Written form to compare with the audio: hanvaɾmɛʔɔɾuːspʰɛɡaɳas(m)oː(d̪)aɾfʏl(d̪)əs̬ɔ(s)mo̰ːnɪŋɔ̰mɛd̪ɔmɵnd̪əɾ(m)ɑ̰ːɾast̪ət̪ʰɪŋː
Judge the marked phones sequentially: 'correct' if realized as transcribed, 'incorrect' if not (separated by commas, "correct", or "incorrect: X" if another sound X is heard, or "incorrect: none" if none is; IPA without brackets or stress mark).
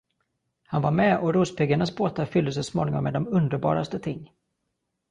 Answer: incorrect: b, incorrect: t̪, correct, correct, incorrect: b